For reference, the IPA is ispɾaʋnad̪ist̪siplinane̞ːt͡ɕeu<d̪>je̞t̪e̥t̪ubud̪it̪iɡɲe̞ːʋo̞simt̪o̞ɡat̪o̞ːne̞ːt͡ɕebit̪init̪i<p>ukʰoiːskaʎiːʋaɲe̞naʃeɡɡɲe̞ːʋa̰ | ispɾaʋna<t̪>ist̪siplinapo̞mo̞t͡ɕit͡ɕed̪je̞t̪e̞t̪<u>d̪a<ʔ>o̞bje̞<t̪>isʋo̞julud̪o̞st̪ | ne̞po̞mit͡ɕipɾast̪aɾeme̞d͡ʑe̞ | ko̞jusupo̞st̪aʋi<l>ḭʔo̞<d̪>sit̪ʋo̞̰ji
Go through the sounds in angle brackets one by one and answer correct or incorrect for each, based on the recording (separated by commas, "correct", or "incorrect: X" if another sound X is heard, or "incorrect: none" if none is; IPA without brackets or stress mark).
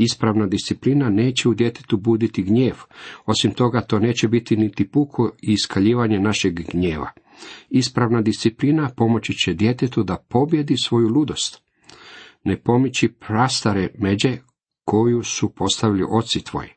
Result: correct, correct, incorrect: d̪, correct, incorrect: p, incorrect: d̪, correct, incorrect: t̪